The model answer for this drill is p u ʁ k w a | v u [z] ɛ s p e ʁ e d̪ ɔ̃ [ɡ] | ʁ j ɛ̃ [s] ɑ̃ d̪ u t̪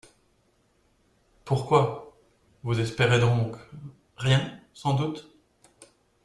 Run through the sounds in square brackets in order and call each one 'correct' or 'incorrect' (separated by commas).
correct, incorrect, correct